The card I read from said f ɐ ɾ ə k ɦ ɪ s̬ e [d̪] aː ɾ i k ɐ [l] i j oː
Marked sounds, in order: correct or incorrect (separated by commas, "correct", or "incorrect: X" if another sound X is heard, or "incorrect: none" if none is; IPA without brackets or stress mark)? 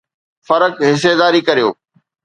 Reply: correct, incorrect: ɾ